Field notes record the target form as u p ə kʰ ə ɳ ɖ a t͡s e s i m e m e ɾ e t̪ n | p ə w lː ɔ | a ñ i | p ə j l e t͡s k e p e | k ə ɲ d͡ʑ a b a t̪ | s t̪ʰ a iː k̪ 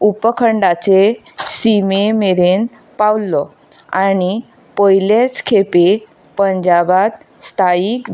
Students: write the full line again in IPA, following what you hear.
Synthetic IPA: u p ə kʰ ə ɳ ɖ a t͡s e s i m e m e ɾ e n | p a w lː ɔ | a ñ i | p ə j l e t͡s kʰ e p e | p ə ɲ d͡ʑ a b a t̪ | s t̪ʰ a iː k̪